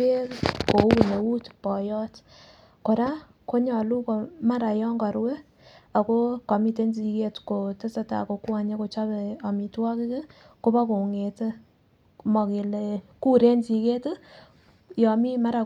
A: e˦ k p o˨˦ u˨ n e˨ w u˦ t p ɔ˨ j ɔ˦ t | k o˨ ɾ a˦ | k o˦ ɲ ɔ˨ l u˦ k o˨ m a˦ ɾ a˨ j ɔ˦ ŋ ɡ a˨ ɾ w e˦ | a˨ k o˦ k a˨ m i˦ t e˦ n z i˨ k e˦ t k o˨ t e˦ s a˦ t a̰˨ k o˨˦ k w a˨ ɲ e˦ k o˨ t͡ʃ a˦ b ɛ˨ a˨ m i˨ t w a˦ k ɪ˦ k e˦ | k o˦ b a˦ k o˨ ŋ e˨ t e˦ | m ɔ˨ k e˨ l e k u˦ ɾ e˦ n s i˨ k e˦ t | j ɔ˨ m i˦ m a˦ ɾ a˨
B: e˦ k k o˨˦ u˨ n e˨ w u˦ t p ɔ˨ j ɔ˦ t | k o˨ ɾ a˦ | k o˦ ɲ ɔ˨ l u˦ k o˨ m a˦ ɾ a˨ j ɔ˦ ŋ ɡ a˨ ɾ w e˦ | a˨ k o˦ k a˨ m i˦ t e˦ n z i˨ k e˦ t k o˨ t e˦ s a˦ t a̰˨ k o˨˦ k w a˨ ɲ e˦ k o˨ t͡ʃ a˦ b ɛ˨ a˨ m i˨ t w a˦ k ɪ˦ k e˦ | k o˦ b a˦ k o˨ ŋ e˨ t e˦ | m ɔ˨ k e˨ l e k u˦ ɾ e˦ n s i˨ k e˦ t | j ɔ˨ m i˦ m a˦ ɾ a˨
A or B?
B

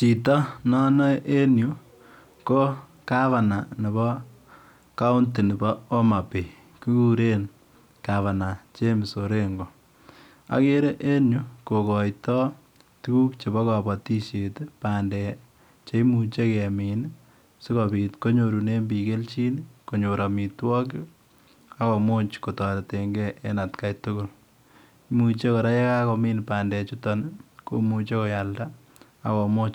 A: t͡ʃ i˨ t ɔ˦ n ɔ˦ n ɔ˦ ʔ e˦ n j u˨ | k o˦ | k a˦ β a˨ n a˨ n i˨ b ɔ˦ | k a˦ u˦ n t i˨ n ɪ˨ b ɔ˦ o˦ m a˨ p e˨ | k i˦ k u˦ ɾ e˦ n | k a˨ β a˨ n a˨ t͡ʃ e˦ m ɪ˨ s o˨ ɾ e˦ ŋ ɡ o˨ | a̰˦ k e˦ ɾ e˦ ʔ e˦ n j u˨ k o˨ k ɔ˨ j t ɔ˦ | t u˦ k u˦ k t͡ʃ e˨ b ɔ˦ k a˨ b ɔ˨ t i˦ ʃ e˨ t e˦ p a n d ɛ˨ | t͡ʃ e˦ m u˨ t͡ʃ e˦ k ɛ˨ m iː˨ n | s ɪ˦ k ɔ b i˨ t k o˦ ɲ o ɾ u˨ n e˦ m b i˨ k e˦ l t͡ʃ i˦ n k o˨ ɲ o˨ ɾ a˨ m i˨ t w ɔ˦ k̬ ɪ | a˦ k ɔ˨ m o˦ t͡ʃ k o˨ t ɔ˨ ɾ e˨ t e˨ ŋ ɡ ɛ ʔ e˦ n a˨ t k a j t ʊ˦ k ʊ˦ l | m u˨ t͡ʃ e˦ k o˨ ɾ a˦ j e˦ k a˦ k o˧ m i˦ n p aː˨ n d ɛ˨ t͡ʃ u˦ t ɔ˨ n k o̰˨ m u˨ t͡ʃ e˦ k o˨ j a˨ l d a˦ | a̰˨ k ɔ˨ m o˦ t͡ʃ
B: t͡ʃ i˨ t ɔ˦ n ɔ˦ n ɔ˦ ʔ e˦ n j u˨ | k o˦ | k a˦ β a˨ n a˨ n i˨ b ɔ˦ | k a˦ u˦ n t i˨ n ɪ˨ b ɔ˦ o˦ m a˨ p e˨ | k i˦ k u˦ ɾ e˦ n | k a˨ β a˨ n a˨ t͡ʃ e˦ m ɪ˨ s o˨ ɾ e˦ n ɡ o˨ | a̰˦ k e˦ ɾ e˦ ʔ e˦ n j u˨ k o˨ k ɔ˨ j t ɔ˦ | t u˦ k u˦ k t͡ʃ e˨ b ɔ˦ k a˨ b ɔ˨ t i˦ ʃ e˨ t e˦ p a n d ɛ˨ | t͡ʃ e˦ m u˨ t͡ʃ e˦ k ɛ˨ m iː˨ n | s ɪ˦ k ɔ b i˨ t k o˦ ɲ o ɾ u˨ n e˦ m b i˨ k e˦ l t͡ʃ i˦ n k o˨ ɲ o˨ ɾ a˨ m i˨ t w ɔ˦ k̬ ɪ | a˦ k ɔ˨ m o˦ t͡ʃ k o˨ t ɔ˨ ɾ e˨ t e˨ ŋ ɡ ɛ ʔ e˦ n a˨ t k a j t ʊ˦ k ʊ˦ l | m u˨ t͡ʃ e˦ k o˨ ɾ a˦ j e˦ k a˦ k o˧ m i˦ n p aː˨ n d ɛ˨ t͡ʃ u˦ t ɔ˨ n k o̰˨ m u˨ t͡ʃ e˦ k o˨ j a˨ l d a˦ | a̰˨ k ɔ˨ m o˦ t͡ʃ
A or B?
A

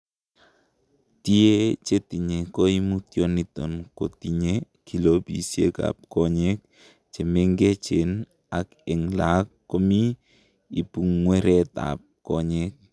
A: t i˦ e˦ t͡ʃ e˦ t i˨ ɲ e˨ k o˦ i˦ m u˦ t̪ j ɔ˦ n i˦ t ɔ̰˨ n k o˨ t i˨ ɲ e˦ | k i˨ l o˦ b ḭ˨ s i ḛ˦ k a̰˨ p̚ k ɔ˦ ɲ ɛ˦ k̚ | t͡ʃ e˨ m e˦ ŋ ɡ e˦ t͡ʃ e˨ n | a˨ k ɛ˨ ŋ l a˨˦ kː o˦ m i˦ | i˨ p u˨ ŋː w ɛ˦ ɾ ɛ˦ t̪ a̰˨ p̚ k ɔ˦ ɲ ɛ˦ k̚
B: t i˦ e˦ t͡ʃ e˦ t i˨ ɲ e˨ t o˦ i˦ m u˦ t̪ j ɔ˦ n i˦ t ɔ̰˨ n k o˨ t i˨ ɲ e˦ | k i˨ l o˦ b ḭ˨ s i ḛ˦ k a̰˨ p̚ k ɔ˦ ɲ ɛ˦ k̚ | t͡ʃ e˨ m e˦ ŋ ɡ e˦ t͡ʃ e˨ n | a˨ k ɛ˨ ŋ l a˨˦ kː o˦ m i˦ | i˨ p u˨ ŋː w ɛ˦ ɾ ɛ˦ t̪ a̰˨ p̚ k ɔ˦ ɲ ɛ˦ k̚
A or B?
A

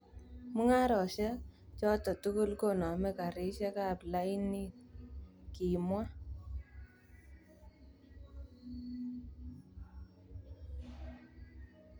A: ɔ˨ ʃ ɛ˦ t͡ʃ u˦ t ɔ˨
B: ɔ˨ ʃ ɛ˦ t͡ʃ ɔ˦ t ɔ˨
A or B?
B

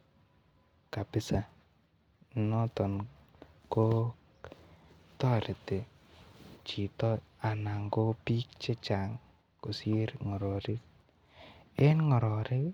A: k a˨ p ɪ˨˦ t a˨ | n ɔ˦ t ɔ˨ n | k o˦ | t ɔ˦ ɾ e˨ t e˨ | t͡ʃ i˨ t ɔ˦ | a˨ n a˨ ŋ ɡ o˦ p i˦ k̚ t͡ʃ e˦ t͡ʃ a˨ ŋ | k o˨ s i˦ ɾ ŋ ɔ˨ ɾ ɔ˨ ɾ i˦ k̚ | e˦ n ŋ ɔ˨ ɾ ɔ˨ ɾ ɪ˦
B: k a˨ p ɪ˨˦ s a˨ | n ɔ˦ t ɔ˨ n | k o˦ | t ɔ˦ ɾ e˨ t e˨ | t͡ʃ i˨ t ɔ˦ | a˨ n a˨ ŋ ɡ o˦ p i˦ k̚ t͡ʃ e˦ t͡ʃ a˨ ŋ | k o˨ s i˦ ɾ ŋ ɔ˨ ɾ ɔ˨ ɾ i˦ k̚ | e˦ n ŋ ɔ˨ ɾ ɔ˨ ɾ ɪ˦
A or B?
B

